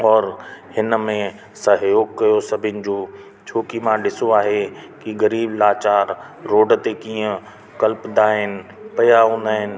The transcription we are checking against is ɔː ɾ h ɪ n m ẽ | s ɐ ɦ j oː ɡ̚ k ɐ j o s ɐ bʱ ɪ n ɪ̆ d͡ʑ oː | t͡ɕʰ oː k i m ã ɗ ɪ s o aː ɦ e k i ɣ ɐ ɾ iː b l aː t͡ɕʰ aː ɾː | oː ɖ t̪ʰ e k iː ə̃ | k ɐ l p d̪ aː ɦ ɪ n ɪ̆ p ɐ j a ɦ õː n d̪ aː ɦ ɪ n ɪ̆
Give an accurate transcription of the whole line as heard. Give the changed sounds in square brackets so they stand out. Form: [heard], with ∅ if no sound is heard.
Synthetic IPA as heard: ɔː ɾ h ɪ n m ẽ | s ɐ ɦ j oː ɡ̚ k ɐ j o s ɐ bʱ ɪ n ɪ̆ d͡ʑ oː | t͡ɕʰ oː k i m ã ɗ ɪ s o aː ɦ e k i ɣ ɐ ɾ iː b l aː [t͡ɕ] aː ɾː | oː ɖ [t̪] e k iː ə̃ | k ɐ l p d̪ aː ɦ ɪ n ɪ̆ p ɐ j a ɦ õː n d̪ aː ɦ ɪ n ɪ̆